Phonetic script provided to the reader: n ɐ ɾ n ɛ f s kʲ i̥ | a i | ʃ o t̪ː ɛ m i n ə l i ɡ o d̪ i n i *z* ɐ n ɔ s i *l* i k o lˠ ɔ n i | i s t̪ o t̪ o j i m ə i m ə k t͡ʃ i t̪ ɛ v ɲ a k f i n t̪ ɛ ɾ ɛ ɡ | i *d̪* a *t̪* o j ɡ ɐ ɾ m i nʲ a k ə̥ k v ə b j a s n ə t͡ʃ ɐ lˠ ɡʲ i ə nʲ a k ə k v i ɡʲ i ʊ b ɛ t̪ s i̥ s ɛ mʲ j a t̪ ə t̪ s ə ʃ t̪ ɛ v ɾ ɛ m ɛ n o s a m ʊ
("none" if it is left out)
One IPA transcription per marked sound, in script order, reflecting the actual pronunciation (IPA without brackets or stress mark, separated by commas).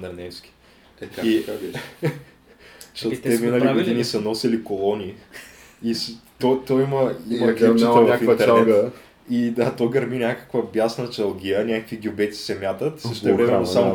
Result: s, l, d̪, t̪